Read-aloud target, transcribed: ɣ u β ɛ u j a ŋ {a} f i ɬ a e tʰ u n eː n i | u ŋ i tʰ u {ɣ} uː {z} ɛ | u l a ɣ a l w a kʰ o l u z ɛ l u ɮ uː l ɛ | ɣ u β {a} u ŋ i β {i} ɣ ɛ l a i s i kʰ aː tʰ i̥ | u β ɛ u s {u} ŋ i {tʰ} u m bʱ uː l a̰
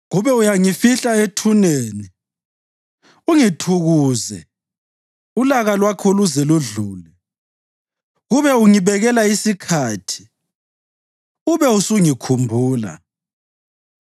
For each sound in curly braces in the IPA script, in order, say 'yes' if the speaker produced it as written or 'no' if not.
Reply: no, yes, yes, no, no, yes, no

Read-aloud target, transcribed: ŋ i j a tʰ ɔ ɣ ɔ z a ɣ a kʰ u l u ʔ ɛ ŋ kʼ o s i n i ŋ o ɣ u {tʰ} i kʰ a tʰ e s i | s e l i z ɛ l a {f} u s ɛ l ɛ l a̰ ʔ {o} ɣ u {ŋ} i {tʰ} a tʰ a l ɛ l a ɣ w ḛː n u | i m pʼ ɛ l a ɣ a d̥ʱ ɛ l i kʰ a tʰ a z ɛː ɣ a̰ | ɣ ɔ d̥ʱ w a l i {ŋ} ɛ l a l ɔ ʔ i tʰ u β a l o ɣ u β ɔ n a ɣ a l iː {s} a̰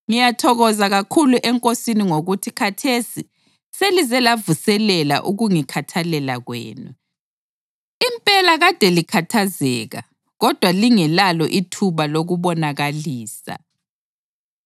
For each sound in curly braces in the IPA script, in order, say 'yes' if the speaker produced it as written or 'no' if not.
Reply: yes, no, no, yes, no, yes, yes

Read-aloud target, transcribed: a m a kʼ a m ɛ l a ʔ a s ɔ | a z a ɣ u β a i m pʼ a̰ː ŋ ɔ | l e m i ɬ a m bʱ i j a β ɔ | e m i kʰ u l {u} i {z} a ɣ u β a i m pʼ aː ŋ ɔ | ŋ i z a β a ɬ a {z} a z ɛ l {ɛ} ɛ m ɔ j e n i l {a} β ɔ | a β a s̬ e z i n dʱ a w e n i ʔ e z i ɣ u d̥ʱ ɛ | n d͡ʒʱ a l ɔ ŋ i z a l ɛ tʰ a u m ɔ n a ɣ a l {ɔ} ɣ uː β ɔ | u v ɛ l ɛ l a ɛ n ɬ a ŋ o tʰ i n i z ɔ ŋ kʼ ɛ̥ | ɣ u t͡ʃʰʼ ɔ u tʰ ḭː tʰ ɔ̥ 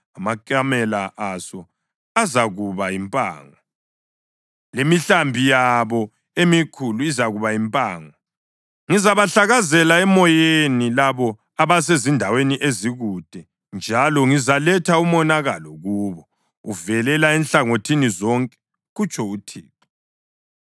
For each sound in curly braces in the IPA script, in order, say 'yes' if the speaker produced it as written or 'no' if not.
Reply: yes, yes, no, no, yes, yes

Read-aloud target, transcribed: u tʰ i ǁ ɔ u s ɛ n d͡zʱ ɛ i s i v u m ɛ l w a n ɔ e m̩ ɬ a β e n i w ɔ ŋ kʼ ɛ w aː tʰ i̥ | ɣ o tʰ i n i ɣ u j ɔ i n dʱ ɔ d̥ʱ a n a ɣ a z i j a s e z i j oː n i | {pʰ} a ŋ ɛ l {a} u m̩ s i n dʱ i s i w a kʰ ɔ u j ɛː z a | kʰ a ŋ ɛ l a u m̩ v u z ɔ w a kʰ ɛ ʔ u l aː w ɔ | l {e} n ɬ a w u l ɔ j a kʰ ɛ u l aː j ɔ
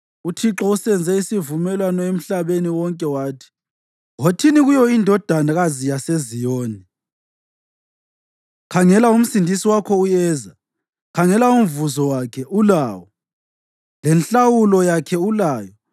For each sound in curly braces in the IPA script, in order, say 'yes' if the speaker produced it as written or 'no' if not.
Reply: no, yes, no

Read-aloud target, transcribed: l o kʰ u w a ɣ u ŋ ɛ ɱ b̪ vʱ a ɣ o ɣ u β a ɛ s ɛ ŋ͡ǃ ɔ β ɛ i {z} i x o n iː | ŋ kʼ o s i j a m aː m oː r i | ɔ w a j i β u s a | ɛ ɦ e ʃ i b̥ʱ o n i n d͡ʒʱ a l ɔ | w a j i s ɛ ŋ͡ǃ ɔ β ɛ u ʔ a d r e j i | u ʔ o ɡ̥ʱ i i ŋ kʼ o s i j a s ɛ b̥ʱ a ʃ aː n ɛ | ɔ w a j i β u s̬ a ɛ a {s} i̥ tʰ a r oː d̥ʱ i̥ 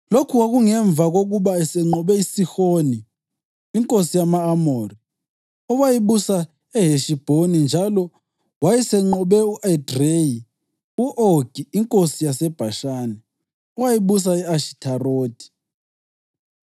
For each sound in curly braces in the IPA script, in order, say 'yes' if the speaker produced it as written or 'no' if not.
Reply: no, no

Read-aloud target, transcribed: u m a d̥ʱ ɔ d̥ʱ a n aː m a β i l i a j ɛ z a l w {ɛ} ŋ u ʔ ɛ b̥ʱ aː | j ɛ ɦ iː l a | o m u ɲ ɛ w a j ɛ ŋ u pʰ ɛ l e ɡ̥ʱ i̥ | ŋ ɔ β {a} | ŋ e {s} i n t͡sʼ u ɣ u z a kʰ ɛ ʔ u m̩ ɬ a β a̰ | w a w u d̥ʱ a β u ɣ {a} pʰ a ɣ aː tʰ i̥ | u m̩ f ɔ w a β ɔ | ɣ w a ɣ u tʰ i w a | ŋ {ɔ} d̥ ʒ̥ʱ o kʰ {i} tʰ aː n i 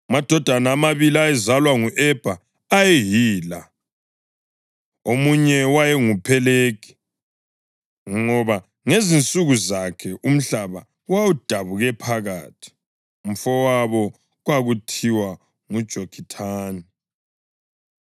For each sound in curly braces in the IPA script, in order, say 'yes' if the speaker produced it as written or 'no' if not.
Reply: no, yes, no, no, no, yes

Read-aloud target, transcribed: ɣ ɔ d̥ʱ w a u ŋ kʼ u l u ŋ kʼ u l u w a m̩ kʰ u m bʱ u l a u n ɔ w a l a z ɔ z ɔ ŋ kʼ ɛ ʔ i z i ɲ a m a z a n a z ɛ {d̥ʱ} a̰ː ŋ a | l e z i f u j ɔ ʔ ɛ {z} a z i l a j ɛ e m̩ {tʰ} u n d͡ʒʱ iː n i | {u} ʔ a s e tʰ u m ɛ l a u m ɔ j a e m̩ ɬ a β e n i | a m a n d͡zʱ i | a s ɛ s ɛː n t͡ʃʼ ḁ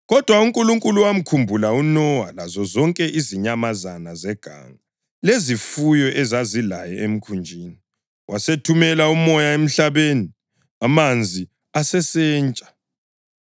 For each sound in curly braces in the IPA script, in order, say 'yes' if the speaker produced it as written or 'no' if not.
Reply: no, yes, no, no

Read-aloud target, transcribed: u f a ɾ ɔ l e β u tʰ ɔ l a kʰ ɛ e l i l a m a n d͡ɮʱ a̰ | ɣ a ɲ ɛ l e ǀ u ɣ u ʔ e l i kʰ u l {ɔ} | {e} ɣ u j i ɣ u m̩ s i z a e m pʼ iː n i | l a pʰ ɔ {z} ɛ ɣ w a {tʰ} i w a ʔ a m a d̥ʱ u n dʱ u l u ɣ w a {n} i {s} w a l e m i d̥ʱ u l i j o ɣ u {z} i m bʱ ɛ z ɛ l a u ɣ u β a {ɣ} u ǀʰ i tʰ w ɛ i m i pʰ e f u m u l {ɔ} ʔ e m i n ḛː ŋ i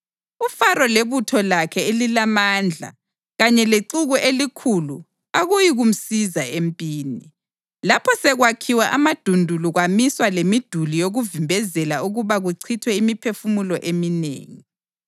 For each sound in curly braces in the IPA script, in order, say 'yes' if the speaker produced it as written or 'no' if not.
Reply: no, no, no, no, no, yes, no, yes, yes

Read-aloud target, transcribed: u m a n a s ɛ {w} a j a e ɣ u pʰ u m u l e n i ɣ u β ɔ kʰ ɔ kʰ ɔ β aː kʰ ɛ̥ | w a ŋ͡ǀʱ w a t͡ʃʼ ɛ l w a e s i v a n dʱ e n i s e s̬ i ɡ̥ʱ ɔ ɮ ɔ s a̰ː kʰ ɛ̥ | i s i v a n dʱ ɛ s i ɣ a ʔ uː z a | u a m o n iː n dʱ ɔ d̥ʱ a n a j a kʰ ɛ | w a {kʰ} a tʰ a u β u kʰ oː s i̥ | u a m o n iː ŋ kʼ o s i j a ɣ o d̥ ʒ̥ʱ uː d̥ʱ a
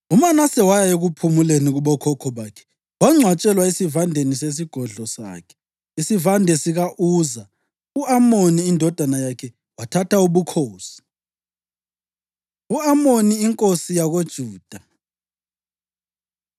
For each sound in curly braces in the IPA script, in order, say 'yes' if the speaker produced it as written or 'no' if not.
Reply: yes, no

